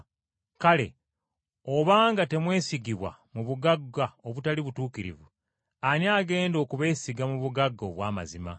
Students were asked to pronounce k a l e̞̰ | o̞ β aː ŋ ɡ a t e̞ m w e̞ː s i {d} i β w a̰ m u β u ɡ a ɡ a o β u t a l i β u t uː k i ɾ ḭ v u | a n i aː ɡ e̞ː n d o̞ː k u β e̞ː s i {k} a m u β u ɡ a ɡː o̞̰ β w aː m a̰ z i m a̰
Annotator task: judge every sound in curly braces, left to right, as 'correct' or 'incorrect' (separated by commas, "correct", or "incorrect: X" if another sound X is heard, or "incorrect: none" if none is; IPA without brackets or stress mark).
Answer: incorrect: ɡ, incorrect: ɡ